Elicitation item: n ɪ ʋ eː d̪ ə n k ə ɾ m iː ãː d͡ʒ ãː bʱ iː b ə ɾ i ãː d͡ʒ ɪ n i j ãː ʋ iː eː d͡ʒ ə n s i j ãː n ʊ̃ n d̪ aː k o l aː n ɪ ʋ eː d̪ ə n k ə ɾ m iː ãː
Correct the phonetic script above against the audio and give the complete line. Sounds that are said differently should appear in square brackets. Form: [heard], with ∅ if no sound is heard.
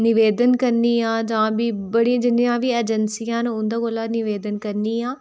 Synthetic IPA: n ɪ ʋ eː d̪ ə n k ə ɾ [n] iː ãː d͡ʒ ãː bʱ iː b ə [ɽ] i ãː d͡ʒ ɪ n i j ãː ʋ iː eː d͡ʒ ə n s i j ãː n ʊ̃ n d̪ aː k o l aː n ɪ ʋ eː d̪ ə n k ə ɾ [n] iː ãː